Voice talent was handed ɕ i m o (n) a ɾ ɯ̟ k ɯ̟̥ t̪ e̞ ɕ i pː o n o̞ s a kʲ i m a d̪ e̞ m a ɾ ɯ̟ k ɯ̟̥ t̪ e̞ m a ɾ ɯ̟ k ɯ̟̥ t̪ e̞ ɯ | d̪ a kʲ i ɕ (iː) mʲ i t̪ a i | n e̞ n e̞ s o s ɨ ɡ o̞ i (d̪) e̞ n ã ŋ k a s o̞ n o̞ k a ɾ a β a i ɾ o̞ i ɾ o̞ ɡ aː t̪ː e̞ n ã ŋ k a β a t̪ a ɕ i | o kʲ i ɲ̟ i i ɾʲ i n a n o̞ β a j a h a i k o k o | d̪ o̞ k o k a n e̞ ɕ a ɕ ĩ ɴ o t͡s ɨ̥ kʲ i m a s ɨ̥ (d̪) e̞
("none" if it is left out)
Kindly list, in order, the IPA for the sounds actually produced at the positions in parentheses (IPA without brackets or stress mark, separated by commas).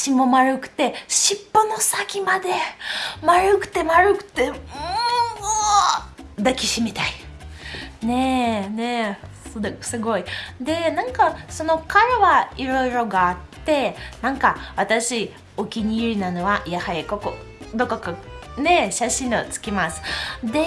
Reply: m, i, d̪, d̪